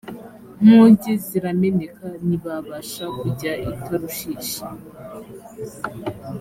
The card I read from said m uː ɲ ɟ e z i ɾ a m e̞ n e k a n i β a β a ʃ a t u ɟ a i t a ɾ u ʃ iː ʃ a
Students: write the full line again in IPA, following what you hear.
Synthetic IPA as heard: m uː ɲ ɟ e z i ɾ a m e̞ n e k a n i β a β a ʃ a k u ɟ a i t a ɾ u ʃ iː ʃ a